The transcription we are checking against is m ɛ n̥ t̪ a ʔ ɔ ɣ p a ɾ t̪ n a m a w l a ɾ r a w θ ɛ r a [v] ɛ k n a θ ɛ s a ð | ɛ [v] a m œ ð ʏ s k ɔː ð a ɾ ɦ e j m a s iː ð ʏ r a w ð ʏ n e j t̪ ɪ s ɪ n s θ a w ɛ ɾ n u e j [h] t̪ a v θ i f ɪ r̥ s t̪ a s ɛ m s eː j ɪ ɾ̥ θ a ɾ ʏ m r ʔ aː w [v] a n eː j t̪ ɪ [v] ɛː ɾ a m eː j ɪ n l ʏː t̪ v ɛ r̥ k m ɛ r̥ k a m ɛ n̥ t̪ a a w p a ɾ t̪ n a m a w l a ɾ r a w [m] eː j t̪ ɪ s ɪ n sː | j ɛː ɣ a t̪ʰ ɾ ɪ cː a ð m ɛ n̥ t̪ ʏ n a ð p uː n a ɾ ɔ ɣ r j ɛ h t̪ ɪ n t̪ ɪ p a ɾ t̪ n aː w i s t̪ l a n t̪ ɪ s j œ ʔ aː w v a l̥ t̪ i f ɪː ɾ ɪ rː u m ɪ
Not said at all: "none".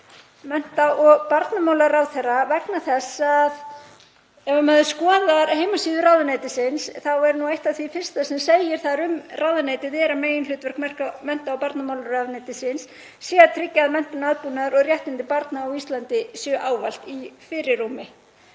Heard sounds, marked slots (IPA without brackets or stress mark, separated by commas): v, v, h, ð, ð, n